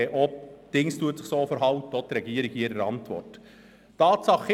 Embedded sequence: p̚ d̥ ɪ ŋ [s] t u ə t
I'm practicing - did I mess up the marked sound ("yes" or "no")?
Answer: no